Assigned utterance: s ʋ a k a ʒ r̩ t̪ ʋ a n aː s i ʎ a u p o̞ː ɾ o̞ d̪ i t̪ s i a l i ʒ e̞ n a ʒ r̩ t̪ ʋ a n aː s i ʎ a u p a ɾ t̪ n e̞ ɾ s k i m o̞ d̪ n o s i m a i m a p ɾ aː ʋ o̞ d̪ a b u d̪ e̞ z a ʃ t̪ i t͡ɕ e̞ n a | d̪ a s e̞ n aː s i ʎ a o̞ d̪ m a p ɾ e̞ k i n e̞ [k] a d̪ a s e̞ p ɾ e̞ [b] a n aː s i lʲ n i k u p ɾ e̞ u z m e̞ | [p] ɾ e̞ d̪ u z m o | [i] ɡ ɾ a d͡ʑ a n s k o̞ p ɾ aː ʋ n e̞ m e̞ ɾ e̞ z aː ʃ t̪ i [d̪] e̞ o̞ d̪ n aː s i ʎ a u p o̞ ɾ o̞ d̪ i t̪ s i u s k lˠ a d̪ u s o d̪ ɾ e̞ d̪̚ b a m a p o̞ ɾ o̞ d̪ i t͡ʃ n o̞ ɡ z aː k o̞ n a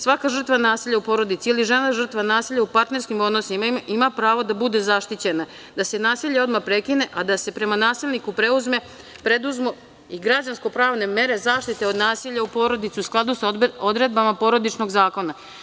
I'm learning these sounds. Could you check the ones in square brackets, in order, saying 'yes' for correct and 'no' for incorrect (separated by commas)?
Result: no, no, yes, yes, no